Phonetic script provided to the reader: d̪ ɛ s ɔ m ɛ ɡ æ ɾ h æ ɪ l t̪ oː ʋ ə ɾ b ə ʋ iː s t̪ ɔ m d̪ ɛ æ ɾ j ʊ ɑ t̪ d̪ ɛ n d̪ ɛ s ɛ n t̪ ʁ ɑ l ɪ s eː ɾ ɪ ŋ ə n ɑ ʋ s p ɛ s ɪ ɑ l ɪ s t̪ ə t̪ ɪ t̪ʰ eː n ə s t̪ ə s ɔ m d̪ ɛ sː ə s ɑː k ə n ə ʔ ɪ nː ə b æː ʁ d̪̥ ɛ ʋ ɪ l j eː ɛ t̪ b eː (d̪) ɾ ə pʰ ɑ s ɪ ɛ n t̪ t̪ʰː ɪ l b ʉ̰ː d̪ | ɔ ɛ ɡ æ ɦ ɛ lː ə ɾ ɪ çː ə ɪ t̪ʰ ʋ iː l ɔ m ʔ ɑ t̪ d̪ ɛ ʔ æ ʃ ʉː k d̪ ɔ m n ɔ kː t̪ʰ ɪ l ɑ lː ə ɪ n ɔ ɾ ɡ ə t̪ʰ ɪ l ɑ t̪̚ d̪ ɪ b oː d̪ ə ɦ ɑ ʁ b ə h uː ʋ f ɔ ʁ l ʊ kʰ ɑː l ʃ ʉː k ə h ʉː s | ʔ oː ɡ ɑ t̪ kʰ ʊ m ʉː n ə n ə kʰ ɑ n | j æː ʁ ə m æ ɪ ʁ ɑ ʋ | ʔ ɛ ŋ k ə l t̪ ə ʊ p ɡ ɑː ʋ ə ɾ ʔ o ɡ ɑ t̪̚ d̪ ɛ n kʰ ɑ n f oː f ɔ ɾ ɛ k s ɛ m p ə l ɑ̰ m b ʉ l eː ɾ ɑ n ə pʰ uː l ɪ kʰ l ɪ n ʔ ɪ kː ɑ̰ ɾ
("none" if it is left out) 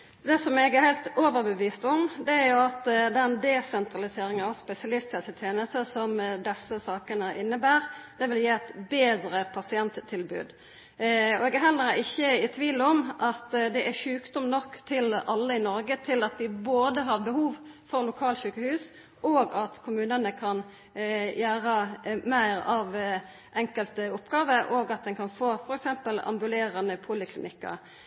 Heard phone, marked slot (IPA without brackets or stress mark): d̪